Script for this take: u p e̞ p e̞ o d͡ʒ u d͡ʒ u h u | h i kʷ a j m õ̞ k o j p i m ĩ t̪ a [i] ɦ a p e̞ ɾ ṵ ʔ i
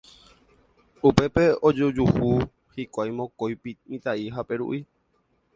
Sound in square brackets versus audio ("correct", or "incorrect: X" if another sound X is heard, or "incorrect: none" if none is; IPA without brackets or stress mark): correct